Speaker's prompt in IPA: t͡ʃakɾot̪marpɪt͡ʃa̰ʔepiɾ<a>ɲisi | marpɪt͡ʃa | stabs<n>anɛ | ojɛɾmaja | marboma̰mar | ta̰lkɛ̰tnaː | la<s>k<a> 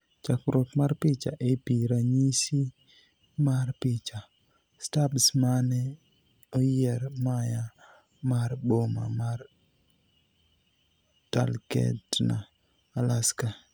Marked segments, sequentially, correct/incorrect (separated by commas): correct, incorrect, correct, correct